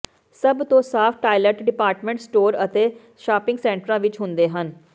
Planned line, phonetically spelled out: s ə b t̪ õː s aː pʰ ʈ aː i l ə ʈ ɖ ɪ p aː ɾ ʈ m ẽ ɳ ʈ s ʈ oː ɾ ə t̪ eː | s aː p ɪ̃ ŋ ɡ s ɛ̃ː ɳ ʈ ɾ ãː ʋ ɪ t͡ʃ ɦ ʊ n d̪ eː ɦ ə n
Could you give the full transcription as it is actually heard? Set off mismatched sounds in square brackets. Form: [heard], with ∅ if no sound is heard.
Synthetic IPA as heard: s ə b t̪ õː s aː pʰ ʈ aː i l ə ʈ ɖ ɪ p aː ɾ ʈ m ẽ ɳ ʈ s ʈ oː ɾ ə t̪ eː | [ʃ] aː p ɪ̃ ŋ ɡ s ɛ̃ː ɳ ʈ ɾ ãː ʋ ɪ t͡ʃ ɦ ʊ n d̪ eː ɦ ə n